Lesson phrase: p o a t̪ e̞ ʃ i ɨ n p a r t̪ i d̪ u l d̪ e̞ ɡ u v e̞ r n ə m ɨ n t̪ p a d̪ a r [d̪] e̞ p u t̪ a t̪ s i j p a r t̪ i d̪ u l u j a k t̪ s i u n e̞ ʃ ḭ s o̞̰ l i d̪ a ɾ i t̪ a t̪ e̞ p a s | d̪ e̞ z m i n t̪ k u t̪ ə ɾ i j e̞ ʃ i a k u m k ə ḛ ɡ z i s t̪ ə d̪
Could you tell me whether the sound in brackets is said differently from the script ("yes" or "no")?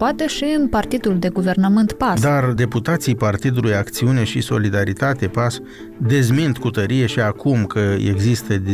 no